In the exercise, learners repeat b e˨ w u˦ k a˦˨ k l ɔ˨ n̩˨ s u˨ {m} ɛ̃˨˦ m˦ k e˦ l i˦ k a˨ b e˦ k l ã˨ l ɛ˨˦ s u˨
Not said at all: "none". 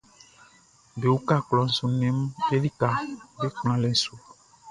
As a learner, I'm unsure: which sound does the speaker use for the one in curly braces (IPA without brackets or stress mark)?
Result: n